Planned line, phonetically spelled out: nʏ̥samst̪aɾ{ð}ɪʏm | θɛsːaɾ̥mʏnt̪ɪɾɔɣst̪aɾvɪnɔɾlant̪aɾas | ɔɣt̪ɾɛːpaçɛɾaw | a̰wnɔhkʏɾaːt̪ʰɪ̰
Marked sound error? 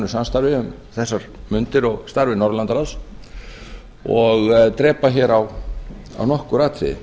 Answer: yes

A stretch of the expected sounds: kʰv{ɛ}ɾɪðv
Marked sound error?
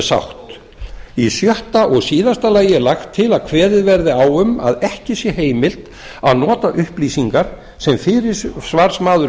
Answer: yes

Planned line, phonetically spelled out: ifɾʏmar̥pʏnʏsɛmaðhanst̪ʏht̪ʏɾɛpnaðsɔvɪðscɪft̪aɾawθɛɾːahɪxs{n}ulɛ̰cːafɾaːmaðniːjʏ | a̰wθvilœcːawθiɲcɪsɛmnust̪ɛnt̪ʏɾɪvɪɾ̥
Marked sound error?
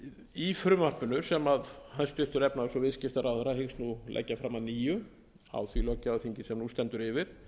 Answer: no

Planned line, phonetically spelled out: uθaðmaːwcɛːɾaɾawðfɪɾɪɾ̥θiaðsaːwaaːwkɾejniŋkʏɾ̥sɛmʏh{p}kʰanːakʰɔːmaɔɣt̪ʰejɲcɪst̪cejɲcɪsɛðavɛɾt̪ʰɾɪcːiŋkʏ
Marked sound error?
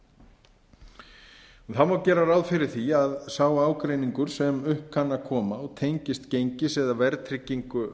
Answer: no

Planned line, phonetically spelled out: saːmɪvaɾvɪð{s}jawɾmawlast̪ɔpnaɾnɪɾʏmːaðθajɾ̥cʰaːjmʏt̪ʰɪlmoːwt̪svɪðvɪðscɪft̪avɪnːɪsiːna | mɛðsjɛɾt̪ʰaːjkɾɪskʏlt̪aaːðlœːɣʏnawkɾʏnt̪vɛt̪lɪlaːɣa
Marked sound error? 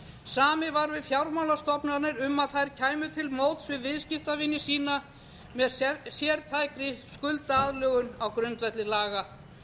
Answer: yes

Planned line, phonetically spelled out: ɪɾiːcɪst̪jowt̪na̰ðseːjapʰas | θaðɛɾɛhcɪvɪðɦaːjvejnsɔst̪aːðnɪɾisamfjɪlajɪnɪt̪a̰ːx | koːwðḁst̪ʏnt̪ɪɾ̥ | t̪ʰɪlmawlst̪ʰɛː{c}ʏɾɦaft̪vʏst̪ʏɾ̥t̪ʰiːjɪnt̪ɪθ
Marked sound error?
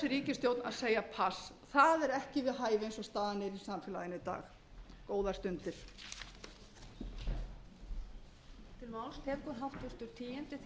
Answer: yes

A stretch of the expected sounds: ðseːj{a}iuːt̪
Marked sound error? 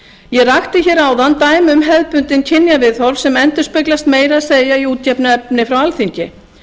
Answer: no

